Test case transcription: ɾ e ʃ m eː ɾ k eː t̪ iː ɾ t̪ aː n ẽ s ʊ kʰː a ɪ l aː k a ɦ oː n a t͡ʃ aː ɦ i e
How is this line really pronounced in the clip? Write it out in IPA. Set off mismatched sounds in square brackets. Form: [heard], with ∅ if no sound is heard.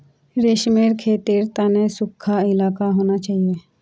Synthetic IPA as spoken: ɾ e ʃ m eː ɾ [kʰ] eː t̪ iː ɾ t̪ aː n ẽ s ʊ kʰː a ɪ l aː k a ɦ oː n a t͡ʃ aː ɦ i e